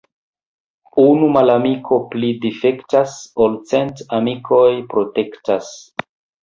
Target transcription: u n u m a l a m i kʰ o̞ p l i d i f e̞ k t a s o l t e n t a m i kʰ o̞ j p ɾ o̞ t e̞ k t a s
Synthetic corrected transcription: u n u m a l a m i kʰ o̞ p l i d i f e̞ k t a s o l t͡s e n t a m i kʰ o̞ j p ɾ o̞ t e̞ k t a s

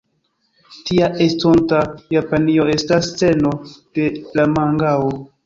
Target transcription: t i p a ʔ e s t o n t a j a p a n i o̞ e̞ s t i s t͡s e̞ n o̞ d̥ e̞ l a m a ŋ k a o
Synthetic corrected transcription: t i a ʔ e s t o n t a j a p a n i o̞ e̞ s t a s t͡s e̞ n o̞ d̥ e̞ l a m a ŋ ɡ a o

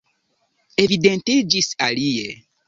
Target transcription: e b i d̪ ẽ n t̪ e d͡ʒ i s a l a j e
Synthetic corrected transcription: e v i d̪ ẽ n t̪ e d͡ʒ i s a l i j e

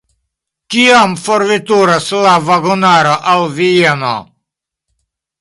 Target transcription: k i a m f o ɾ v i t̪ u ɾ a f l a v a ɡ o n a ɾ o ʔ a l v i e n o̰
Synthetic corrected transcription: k i a m f o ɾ v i t̪ u ɾ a s l a v a ɡ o n a ɾ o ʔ a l v i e n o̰

